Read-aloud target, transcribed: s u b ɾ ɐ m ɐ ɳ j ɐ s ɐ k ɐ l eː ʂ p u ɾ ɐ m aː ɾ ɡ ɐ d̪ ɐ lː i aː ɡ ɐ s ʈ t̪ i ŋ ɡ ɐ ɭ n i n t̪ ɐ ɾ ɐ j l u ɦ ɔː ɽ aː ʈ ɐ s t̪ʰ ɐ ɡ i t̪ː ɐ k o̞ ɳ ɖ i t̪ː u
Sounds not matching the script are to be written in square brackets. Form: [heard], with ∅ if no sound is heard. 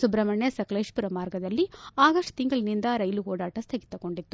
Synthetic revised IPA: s u b ɾ ɐ m ɐ ɳ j ɐ s ɐ k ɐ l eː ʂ p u ɾ ɐ m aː ɾ ɡ ɐ d̪ ɐ lː i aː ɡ ɐ [ʂ] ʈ t̪ i ŋ ɡ ɐ ɭ n i n [d̪] ɐ ɾ ɐ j l u ɦ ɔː ɽ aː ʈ ɐ s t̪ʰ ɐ ɡ i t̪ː ɐ k o̞ ɳ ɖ i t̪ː u